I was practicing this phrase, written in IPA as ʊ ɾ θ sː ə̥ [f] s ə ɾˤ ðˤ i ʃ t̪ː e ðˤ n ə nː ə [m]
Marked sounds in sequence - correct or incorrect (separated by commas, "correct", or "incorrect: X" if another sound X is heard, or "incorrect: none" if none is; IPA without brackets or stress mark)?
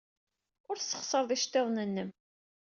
incorrect: χ, correct